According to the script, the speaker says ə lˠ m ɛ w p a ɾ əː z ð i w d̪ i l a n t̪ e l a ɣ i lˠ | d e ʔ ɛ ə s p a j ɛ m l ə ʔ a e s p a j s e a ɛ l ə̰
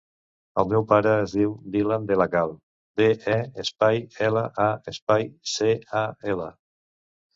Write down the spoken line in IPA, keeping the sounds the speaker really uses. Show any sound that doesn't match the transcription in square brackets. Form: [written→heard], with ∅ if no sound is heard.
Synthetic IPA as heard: ə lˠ m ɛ w p a ɾ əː z ð i w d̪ i l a n [t̪→d̪] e l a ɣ [i→a] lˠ | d e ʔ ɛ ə s p a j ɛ [m→∅] l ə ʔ a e s p a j s e a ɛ l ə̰